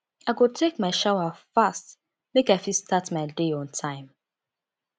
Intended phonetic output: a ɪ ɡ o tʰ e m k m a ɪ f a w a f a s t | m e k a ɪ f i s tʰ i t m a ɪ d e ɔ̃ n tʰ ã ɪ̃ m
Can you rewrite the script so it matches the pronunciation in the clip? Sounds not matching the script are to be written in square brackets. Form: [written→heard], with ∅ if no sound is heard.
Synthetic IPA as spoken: a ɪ ɡ o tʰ e [m→∅] k m a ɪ [f→ʃ] a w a f a s t | m e k a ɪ f i s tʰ [i→a] t m a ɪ d e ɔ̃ n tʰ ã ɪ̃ m

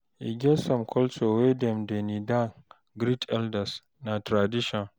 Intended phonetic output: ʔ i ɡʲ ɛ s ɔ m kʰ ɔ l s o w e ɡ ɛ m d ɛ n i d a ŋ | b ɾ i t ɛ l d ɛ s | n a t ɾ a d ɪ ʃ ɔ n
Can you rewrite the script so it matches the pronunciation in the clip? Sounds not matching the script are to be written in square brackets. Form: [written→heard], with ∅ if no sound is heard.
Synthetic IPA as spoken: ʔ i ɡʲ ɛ s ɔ m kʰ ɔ l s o w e [ɡ→d] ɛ m d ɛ n i d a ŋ | [b→ɡ] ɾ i t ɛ l d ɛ s | n a t ɾ a d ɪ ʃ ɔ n

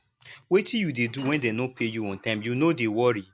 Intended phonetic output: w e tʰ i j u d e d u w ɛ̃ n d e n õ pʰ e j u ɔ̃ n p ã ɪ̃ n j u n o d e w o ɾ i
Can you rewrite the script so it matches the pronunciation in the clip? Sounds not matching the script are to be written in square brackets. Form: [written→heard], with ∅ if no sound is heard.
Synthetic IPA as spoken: w e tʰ i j u d e d u w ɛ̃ n d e n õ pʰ e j u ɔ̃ n [p→t] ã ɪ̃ [n→m] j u n o d e w [o→ɔ] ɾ i

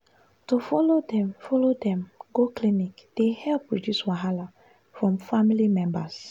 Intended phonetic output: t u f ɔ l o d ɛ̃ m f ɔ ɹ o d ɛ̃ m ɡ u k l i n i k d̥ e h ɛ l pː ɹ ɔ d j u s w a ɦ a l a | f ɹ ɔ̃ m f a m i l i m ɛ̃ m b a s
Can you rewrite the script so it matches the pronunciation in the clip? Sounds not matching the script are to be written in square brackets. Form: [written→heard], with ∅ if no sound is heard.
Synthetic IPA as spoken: t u f ɔ l o d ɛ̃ m f ɔ [ɹ→l] o d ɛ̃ m ɡ [u→o] k l i n i k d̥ e h ɛ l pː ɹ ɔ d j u s w a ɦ a l a | f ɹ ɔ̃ m f a m i l i m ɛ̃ m b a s

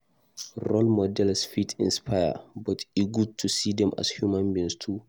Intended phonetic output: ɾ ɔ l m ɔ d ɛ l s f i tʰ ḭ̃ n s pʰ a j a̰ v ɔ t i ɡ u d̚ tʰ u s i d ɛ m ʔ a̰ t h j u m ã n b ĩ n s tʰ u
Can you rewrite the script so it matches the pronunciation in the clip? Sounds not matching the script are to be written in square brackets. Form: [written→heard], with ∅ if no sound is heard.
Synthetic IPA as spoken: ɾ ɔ l m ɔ d ɛ l s f i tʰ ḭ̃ n s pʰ a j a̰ [v→b] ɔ t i ɡ u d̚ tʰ u s i d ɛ m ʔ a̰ [t→s] h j u m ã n b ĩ n s tʰ u

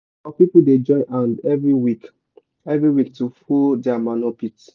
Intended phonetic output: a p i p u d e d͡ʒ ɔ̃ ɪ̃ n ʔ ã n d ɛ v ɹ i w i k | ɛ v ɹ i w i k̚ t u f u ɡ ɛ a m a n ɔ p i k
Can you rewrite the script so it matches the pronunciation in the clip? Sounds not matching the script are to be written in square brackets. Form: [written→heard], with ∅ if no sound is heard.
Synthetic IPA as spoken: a p i p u d e d͡ʒ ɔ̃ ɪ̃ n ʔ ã n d ɛ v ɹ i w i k | ɛ v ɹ i w i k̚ t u f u [ɡ→d] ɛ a m a n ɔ p i [k→t]

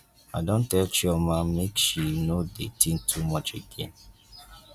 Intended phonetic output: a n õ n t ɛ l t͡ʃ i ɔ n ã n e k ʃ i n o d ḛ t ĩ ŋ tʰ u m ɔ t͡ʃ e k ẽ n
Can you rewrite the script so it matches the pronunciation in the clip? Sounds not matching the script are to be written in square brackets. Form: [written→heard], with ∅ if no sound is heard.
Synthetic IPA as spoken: a [n→d] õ n t ɛ l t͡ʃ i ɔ [n→m] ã [n→m] e k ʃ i n o d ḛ t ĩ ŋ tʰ u m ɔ t͡ʃ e [k→ɡ] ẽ n

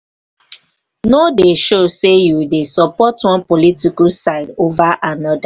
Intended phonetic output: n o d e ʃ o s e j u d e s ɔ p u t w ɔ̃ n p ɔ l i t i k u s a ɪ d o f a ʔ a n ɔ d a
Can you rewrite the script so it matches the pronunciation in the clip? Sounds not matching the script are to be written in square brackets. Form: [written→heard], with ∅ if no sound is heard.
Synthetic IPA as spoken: n o d e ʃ o s e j u d e s ɔ p [u→ɔ] t w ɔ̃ n p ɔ l i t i k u s a ɪ d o [f→v] a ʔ a n ɔ d a

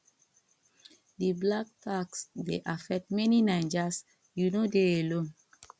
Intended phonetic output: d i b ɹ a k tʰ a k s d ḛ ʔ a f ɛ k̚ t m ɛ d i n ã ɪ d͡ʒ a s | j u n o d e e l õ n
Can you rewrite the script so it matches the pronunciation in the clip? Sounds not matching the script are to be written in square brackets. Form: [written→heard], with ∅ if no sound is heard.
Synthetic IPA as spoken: d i b [ɹ→l] a k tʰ a k s d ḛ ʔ a f ɛ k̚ t m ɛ [d→n] i n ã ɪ d͡ʒ a s | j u n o d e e l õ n

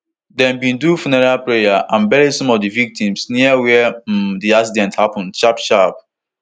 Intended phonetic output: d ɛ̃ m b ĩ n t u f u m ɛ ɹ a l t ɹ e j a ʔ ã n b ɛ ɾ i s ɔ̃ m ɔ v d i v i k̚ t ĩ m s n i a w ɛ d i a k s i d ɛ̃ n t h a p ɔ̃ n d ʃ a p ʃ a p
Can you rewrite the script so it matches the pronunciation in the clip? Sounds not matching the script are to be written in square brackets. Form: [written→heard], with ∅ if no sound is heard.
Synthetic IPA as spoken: d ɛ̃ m b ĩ n [t→d] u f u [m→n] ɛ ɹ a l [t→p] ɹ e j a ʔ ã n b ɛ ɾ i s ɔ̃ m ɔ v d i v i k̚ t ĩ m s n i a w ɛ d i a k s i d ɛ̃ n t h a p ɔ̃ n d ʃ a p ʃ a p

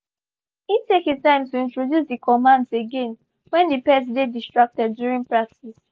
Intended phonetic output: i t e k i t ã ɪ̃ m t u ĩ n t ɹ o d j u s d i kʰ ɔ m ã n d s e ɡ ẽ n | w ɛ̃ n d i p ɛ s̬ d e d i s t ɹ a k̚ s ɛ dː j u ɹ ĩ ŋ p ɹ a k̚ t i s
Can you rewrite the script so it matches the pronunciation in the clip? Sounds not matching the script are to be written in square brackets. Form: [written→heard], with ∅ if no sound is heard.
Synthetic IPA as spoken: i t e k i t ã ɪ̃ m t u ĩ n t ɹ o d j u s d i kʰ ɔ m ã n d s e ɡ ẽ n | w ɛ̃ n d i p ɛ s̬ d e d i s t ɹ a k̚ [s→t] ɛ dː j u ɹ ĩ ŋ p ɹ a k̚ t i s

